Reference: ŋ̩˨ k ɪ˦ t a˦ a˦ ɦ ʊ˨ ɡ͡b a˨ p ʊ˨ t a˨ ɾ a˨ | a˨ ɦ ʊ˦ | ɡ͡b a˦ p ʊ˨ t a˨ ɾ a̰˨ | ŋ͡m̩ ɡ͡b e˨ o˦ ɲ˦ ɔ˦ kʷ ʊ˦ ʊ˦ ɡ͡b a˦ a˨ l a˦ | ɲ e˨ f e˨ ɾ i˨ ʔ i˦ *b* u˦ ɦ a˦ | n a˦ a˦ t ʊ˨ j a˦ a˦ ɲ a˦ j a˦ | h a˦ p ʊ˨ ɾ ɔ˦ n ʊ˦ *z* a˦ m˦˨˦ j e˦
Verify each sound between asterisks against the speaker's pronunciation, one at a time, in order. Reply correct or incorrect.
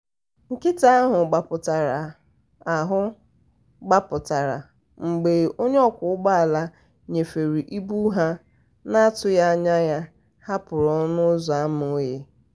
correct, correct

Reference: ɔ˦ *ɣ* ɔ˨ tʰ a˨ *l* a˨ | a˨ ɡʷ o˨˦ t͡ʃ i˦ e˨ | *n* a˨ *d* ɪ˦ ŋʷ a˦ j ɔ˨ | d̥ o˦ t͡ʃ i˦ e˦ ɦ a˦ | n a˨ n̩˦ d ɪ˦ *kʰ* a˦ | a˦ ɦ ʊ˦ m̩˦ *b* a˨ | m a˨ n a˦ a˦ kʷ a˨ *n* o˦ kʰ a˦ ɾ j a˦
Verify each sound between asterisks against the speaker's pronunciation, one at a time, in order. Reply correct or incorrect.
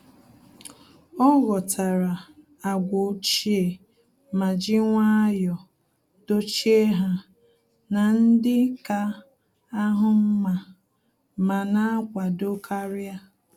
correct, incorrect, incorrect, incorrect, incorrect, incorrect, incorrect

